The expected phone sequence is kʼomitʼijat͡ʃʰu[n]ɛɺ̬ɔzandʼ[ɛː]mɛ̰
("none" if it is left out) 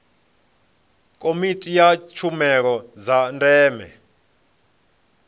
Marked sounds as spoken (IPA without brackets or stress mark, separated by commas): m, ɛː